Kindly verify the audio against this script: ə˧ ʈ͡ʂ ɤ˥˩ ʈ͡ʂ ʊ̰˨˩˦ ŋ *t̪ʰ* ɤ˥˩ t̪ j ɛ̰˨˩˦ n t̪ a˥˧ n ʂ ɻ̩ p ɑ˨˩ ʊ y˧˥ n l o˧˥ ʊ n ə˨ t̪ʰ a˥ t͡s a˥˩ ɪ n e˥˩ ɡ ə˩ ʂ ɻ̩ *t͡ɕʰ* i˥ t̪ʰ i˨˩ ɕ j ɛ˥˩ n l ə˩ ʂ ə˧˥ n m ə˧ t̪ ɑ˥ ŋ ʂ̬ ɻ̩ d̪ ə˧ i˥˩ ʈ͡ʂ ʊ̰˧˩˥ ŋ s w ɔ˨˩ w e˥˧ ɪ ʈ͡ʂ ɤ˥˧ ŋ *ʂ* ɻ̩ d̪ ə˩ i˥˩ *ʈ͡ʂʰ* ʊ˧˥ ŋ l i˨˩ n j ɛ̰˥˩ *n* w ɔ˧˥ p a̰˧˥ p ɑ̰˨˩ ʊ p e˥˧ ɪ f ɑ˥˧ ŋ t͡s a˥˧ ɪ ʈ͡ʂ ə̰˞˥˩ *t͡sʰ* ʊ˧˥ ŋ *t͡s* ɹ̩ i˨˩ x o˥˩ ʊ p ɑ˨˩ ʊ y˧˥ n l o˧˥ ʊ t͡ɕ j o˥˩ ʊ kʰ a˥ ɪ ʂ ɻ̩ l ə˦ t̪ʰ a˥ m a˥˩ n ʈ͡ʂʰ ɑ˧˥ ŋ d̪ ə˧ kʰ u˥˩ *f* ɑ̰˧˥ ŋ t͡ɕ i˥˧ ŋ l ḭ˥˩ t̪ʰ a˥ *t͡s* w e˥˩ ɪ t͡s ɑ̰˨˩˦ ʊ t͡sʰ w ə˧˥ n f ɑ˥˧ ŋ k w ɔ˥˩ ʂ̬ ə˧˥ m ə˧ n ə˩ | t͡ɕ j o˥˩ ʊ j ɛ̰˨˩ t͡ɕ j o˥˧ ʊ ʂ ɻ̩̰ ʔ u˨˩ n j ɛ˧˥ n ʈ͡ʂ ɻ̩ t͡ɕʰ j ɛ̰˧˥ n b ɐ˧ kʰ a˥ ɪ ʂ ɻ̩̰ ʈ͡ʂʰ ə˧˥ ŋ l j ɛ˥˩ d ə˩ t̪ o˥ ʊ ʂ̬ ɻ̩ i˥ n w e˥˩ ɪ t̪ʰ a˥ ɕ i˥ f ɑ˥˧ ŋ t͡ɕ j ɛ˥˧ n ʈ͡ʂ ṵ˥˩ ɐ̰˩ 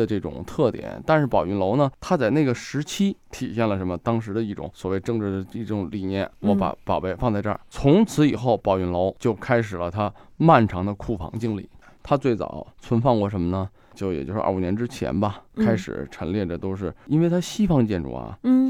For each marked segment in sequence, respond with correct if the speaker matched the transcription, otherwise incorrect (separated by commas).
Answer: correct, correct, incorrect, incorrect, correct, correct, incorrect, correct, correct